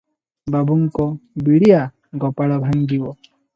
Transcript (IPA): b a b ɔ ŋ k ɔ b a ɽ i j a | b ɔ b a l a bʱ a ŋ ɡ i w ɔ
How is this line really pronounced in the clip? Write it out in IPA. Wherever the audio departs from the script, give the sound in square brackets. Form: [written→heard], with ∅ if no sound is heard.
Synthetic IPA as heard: b a b [ɔ→u] ŋ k ɔ b [a→i] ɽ i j a | [b→ɡ] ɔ [b→p] a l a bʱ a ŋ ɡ i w ɔ